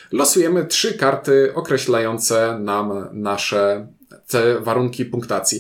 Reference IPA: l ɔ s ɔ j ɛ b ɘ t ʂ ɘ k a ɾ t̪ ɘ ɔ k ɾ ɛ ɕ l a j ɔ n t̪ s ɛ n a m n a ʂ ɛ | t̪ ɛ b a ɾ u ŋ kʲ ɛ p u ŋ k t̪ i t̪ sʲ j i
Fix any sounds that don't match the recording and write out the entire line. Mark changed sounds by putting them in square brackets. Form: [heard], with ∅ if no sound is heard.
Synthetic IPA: l ɔ s [u] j ɛ [m] ɘ t ʂ ɘ k a ɾ t̪ ɘ ɔ k ɾ ɛ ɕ l a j ɔ n t̪ s ɛ n a m n a ʂ ɛ | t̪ ɛ [v] a ɾ u ŋ kʲ [i] p u ŋ k t̪ [a] t̪ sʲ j i